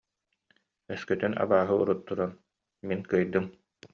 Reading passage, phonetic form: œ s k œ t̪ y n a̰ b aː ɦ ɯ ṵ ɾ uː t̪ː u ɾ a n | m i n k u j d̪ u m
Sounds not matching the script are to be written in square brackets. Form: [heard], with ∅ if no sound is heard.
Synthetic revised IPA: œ s k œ t̪ y n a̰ b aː ɦ ɯ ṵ ɾ [u] t̪ː u ɾ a n | m i n k [ɯ] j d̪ [ɯ] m